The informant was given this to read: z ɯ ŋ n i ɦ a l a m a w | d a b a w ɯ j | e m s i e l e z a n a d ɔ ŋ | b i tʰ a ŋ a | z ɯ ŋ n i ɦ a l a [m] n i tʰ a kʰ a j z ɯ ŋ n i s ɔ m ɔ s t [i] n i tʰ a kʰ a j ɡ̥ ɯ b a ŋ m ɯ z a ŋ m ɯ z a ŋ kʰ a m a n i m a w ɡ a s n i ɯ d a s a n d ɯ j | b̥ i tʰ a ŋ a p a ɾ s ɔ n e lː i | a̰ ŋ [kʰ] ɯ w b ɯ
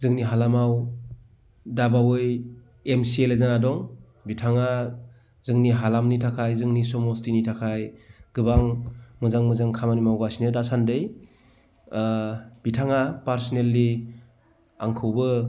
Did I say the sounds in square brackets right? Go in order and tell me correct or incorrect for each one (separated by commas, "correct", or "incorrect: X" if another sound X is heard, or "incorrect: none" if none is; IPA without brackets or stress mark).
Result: correct, correct, correct